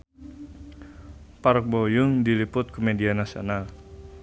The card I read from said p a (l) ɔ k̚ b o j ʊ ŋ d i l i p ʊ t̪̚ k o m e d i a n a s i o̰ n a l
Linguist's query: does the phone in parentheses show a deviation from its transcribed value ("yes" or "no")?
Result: yes